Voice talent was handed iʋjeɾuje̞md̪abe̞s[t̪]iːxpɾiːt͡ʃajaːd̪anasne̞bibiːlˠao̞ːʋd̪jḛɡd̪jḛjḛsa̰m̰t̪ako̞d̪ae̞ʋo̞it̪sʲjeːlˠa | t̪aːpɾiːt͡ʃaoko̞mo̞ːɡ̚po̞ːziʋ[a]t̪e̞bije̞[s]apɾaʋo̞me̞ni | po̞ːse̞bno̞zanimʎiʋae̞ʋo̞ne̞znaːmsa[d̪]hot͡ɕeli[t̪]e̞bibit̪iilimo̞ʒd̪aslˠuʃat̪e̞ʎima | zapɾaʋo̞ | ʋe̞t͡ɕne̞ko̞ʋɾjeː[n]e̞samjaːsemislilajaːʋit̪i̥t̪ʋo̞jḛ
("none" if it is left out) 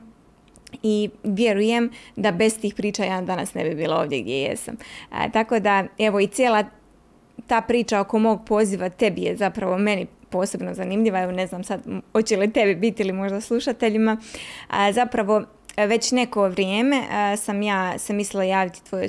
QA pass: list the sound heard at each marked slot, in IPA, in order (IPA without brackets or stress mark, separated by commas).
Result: t̪, a, z, d̪, t̪, m